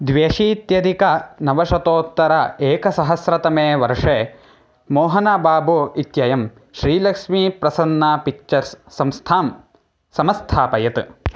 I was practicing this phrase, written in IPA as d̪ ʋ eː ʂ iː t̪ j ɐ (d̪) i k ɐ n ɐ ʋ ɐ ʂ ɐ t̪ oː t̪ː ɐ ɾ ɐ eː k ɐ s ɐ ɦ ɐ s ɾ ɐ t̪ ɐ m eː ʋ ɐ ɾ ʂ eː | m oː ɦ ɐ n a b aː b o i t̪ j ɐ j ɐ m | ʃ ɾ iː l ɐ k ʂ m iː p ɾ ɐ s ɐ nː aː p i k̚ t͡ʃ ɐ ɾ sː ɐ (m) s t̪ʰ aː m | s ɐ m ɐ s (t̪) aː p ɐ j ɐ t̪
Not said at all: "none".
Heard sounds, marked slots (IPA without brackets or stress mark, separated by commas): d̪, m, t̪ʰ